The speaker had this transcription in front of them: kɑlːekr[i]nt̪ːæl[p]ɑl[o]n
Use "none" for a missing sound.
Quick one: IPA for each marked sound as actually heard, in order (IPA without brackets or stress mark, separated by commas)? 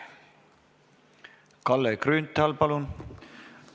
y, p, u